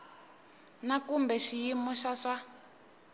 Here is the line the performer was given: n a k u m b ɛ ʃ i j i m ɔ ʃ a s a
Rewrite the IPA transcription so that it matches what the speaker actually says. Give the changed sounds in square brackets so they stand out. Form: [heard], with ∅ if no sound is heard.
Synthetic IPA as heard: n a k u m b ɛ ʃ i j i m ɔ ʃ a [ʂ] a